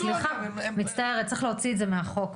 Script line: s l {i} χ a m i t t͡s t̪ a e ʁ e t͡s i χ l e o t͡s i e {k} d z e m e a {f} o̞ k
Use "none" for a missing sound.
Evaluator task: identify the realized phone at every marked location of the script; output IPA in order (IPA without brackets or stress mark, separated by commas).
i, none, χ